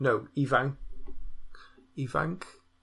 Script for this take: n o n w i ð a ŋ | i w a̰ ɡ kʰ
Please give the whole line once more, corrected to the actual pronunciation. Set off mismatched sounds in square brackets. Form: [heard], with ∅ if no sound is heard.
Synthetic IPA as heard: n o [∅] w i [v] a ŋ | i [v] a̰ [ŋ] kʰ